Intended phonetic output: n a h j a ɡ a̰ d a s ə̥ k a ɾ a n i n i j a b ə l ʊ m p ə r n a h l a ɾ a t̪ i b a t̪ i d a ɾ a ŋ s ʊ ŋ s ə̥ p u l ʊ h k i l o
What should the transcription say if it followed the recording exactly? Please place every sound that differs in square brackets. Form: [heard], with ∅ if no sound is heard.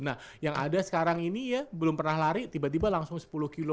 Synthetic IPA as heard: n a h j a [ŋ] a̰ d a s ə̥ k a ɾ a [ŋ] i n i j a b ə l ʊ m p ə r n a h l a ɾ [i] t̪ i b a t̪ i [b] a [l] a ŋ s ʊ ŋ s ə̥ p u l ʊ h k i l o